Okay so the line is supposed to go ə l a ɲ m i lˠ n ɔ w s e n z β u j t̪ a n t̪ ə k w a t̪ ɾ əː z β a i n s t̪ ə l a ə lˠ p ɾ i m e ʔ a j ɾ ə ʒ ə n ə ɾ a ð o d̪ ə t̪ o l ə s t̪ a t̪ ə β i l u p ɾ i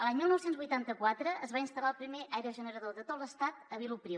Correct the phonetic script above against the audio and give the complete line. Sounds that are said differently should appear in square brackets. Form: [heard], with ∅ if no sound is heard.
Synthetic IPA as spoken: ə l a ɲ m i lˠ n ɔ w s e n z β u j t̪ a n t̪ ə k w a t̪ ɾ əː z β a i n s t̪ ə l a ə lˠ p ɾ i m e ʔ a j ɾ ə ʒ ə n ə ɾ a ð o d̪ ə t̪ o l ə s t̪ a t̪ ə β i l u p ɾ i